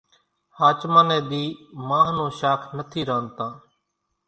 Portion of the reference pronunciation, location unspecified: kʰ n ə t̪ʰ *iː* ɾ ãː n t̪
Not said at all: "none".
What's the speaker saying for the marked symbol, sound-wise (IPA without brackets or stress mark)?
iː